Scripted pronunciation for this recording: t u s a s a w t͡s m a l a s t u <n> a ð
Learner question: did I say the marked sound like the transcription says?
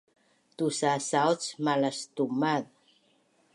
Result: no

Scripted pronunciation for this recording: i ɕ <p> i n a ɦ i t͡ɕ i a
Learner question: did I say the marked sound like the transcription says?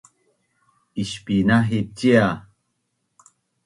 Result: yes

